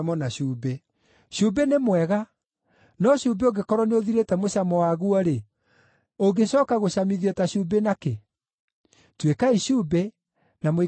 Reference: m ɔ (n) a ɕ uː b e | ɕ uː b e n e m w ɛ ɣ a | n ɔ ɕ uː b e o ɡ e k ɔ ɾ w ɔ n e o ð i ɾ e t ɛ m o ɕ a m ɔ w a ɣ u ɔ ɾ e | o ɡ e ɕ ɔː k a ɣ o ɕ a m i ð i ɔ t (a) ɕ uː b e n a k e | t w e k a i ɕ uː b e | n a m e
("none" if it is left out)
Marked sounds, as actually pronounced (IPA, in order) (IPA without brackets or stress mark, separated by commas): n, a